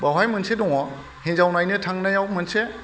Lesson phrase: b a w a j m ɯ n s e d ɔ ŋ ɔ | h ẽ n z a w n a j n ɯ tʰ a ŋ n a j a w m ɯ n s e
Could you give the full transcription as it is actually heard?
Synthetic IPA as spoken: b a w a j m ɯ n s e d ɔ ŋ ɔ | h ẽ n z a w n a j n ɯ tʰ a ŋ n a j a w m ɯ n s e